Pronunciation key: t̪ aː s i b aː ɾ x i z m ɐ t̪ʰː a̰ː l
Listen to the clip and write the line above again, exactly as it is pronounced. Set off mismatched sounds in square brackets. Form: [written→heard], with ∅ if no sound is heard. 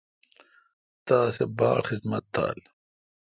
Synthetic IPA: t̪ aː s [i→e] b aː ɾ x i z m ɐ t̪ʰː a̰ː l

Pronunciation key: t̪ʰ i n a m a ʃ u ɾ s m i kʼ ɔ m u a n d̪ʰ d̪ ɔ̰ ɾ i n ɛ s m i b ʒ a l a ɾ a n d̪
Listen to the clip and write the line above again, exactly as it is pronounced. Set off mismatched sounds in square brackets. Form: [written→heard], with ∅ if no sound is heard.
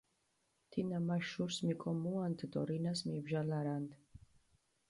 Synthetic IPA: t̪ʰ i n a m a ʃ u ɾ s m i kʼ ɔ m u a n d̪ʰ d̪ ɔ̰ ɾ i n [ɛ→a] s m i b ʒ a l a ɾ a n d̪

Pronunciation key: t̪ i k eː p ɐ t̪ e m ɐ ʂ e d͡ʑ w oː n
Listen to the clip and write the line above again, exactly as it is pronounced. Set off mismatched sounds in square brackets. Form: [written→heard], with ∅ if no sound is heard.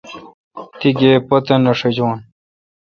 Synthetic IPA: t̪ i [k→ɡ] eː p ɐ t̪ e [m→n] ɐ ʂ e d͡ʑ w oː n

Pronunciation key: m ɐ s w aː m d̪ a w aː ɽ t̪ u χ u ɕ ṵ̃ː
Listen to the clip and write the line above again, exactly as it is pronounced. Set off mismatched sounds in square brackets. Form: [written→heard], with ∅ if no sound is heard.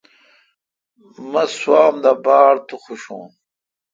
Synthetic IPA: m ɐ s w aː m d̪ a [w→b] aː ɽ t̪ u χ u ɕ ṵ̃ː

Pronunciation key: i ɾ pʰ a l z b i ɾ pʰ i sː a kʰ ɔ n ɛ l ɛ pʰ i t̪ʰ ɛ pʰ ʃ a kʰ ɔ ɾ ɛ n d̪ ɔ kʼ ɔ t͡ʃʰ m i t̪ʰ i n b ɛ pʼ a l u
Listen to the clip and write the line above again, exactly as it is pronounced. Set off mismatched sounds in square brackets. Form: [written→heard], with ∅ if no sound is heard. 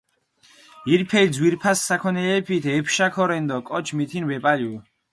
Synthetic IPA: i ɾ pʰ [a→ɛ] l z [b→w] i ɾ pʰ [i→a] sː a kʰ ɔ n ɛ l ɛ pʰ i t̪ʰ ɛ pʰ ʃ a kʰ ɔ ɾ ɛ n d̪ ɔ kʼ ɔ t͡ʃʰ m i t̪ʰ i n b ɛ pʼ a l u

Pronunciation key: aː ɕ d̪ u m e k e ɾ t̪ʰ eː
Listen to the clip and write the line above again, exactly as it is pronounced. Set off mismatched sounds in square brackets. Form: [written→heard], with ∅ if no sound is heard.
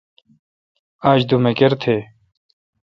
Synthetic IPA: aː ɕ d̪ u m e k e ɾ t̪ʰ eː

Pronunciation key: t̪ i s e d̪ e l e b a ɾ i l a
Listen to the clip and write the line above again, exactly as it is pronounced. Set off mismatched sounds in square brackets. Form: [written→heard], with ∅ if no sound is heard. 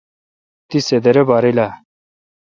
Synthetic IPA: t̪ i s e d̪ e [l→ɾ] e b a ɾ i l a

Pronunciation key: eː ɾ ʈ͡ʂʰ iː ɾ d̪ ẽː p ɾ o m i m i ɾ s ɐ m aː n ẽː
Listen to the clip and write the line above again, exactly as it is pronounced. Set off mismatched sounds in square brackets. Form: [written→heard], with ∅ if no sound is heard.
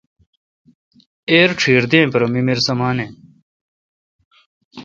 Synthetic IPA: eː ɾ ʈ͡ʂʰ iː ɾ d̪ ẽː p ɾ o m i m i ɾ s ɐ m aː n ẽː

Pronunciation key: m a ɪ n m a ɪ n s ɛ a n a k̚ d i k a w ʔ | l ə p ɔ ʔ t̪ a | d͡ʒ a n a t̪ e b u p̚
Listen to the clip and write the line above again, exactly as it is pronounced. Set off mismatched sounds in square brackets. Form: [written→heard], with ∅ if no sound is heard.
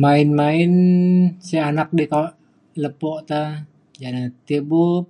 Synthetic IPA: m a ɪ n m a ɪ n s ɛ a n a k̚ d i k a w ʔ | l ə p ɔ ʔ t̪ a | d͡ʒ a n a t̪ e b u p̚

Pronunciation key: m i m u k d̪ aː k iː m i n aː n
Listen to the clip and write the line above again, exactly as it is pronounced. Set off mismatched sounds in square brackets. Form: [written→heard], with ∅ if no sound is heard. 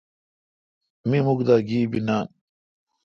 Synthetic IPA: m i m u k d̪ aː [k→ɡ] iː [m→b] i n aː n

